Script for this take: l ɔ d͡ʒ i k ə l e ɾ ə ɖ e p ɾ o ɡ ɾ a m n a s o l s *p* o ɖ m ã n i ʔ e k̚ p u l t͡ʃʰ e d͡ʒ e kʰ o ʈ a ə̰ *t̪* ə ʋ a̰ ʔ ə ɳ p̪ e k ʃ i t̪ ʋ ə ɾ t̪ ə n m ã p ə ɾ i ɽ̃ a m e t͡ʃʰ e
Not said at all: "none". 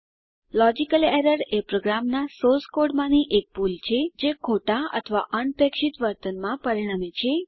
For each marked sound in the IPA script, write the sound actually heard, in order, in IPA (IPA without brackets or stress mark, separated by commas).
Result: k, t̪ʰ